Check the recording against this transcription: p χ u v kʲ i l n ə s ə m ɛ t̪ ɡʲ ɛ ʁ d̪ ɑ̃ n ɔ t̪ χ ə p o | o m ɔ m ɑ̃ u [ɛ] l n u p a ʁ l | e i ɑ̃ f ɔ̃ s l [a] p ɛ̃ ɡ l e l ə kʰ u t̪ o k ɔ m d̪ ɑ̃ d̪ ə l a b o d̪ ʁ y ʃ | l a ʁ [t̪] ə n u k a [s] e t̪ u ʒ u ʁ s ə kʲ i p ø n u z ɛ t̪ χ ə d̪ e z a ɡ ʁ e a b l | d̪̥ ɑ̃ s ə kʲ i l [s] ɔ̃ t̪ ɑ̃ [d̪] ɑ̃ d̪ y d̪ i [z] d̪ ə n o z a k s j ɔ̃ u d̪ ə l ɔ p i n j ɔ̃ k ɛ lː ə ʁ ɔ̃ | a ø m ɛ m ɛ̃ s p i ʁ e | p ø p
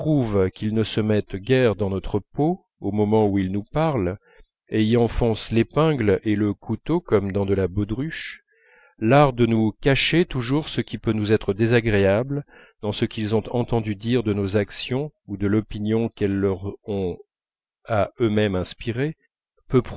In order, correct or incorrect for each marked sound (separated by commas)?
incorrect, incorrect, incorrect, incorrect, incorrect, incorrect, incorrect